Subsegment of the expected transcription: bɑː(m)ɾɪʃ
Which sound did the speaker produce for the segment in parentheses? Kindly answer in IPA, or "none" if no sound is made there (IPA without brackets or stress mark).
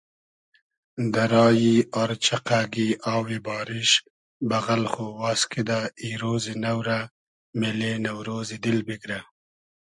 none